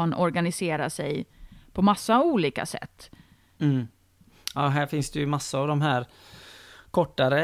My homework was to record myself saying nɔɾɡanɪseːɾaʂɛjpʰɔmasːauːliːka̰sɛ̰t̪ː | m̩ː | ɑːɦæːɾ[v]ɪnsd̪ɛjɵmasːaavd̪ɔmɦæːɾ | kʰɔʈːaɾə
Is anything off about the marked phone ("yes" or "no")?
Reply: yes